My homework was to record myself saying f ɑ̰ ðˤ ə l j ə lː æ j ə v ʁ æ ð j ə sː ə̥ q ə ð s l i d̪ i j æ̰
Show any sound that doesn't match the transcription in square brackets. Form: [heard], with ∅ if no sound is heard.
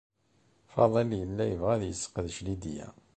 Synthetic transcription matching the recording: f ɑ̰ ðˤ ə l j ə lː æ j ə v ʁ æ ð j ə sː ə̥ q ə ð [ʃ] l i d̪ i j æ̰